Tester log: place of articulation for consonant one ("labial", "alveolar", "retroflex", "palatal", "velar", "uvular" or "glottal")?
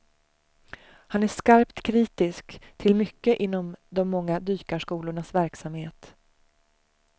glottal